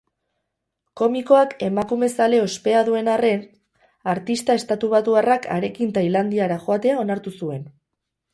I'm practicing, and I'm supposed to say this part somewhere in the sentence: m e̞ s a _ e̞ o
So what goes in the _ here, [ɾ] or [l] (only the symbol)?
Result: l